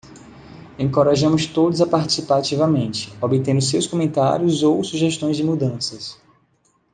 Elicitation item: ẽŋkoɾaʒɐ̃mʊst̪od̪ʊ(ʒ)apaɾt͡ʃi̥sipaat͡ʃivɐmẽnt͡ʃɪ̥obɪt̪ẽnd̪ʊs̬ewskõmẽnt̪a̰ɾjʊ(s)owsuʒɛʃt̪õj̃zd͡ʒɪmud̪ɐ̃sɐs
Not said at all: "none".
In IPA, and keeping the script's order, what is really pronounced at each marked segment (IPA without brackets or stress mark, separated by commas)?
z, z